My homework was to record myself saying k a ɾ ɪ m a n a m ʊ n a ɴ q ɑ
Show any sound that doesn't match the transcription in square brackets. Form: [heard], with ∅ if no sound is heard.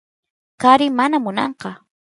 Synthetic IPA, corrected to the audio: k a ɾ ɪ m a n a m ʊ n [ɑ] ɴ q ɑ